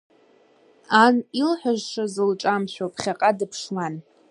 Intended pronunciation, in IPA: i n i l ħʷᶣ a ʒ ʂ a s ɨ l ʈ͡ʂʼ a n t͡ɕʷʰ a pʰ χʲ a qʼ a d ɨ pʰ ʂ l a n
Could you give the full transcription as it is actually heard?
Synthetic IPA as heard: a n i l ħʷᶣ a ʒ ʂ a z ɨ l ʈ͡ʂʼ a m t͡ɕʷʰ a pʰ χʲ a qʼ a d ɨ pʰ ʂ l a n